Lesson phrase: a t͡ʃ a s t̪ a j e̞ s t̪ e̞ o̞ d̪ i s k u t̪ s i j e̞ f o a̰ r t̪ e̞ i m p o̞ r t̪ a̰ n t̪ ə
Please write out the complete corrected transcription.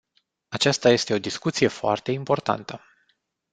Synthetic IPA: a t͡ʃ a s t̪ a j e̞ s t̪ e̞ o̞ d̪ i s k u t̪ s i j e̞ f o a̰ r t̪ e̞ i m p o̞ r t̪ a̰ n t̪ ə